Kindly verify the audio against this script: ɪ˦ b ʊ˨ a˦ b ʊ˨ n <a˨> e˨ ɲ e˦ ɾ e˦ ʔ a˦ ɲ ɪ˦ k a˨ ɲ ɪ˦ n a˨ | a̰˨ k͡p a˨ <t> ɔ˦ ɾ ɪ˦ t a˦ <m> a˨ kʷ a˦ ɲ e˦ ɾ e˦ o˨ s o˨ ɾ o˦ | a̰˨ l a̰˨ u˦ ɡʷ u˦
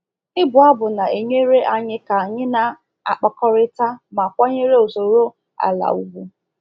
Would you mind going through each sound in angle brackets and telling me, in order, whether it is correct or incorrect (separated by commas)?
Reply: correct, incorrect, correct